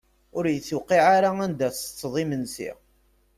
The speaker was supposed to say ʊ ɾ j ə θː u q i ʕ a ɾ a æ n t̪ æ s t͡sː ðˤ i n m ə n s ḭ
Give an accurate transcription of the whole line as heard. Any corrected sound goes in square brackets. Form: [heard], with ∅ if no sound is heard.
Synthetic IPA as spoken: ʊ ɾ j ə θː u q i ʕ a ɾ a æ n [d̪] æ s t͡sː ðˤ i [∅] m ə n s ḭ